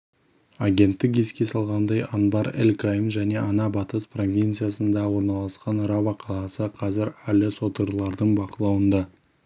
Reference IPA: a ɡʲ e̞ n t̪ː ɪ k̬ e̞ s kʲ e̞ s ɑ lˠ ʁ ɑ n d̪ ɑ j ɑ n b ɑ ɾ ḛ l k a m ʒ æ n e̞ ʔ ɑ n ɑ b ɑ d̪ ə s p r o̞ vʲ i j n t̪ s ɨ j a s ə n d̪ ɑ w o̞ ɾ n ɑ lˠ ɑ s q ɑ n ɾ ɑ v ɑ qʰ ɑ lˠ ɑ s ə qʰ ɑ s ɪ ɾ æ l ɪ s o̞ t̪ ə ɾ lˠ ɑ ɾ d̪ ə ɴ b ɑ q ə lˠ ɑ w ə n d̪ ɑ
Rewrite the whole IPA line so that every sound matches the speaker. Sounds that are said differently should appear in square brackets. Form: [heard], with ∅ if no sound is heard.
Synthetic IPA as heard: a ɡʲ e̞ n t̪ː ɪ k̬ e̞ s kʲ e̞ s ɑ lˠ ʁ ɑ n d̪ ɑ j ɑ n b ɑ ɾ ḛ l k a m ʒ æ n e̞ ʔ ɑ n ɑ b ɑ [t̪] ə s p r o̞ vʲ i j n t̪ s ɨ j a s ə n d̪ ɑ w o̞ ɾ n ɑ lˠ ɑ s q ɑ n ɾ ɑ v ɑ qʰ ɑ lˠ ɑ s ə qʰ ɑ [z] ɪ ɾ æ l ɪ s o̞ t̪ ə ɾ lˠ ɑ ɾ d̪ ə ɴ b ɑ q ə lˠ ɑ w ə n d̪ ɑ

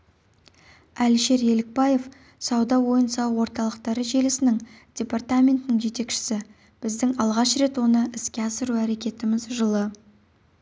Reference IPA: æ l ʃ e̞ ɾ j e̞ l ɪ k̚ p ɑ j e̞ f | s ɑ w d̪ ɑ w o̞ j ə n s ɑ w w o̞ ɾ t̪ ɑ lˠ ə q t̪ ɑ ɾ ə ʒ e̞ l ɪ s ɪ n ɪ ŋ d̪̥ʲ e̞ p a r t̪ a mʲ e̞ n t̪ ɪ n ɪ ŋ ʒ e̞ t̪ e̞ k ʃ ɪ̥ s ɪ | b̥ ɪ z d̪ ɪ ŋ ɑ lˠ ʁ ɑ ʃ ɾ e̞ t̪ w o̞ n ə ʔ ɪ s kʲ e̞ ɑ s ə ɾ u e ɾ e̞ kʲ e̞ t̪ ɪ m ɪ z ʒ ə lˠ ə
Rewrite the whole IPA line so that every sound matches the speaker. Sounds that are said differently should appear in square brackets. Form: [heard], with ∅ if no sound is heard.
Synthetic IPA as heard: æ l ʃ e̞ ɾ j e̞ l ɪ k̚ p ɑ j e̞ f | s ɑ w d̪ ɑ w o̞ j ə n s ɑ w w o̞ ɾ t̪ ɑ lˠ ə q t̪ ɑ ɾ ə ʒ e̞ l ɪ s ɪ n ɪ ŋ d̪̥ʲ e̞ p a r t̪ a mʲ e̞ n t̪ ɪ n ɪ ŋ ʒ e̞ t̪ e̞ k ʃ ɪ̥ s ɪ | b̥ ɪ z d̪ ɪ ŋ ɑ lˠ ʁ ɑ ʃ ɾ e̞ t̪ w o̞ n ə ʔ ɪ s kʲ e̞ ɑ s ə ɾ u [æ] ɾ e̞ kʲ e̞ t̪ ɪ m ɪ z ʒ ə lˠ ə

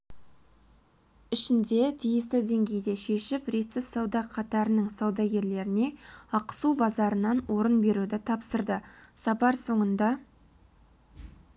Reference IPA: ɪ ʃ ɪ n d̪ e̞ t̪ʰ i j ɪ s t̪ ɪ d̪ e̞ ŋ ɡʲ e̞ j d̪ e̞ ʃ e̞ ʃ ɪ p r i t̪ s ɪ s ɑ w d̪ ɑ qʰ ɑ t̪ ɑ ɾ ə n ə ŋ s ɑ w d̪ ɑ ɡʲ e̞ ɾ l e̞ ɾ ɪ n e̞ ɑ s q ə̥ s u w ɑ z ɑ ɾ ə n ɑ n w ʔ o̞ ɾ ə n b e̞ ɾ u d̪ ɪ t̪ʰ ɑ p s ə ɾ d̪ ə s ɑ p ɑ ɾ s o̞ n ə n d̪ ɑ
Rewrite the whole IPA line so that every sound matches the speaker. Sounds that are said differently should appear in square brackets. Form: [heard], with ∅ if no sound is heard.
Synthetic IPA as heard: ɪ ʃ ɪ n d̪ e̞ t̪ʰ i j ɪ s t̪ ɪ d̪ e̞ ŋ ɡʲ e̞ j d̪ e̞ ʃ e̞ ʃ ɪ p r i t̪ s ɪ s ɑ w d̪ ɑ qʰ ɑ t̪ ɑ ɾ ə n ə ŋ s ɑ w d̪ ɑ ɡʲ e̞ ɾ l e̞ ɾ ɪ n e̞ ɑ [∅] q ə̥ s u [b] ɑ z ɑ ɾ ə n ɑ n w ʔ o̞ ɾ ə n b e̞ ɾ u d̪ ɪ t̪ʰ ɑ p s ə ɾ d̪ ə s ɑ p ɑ ɾ s o̞ [ɴ] ə n d̪ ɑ

